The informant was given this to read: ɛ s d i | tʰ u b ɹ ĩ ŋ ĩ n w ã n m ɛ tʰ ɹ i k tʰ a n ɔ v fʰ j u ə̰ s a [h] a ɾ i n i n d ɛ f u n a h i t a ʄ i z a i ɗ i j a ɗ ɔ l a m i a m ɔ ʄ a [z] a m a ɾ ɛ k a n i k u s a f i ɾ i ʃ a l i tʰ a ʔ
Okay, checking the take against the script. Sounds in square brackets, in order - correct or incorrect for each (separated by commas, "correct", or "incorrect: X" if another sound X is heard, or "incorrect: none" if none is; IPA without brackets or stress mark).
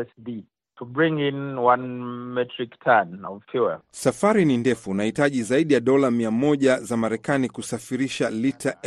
incorrect: f, correct